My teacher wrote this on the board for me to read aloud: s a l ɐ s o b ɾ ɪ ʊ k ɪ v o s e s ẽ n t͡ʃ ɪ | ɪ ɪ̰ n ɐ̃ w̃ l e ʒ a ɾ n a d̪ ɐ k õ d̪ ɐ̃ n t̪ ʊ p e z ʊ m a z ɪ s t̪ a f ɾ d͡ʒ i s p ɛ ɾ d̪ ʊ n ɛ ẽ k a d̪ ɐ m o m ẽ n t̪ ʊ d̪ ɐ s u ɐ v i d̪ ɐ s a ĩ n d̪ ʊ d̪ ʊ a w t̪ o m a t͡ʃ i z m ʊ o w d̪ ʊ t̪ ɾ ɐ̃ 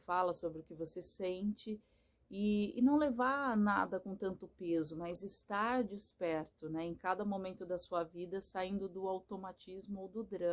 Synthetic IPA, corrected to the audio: f a l ɐ s o b ɾ ɪ ʊ k ɪ v o s e s ẽ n t͡ʃ ɪ | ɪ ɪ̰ n ɐ̃ w̃ l e v a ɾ n a d̪ ɐ k õ t̪ ɐ̃ n t̪ ʊ p e z ʊ m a z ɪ s t̪ a ɾ d͡ʒ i s p ɛ ɾ t̪ ʊ n ɛ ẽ k a d̪ ɐ m o m ẽ n t̪ ʊ d̪ ɐ s u ɐ v i d̪ ɐ s a ĩ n d̪ ʊ d̪ ʊ a w t̪ o m a t͡ʃ i z m ʊ o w d̪ ʊ d̪ ɾ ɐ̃